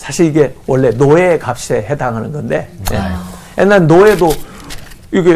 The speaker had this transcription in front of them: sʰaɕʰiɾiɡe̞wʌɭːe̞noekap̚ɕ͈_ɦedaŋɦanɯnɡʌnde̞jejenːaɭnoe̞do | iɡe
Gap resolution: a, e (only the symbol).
e